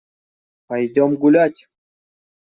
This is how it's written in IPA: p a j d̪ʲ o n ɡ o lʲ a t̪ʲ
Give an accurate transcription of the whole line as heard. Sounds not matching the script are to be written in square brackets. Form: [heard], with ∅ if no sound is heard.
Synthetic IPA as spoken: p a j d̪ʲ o [m] ɡ [u] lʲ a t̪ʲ